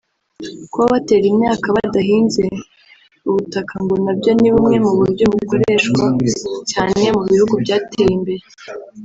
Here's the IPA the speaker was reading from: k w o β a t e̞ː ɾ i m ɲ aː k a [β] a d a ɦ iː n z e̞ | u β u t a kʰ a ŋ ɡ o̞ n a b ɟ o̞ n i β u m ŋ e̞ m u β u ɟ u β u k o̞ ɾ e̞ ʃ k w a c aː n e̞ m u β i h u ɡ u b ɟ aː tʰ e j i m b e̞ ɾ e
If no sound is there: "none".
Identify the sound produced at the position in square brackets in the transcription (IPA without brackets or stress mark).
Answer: β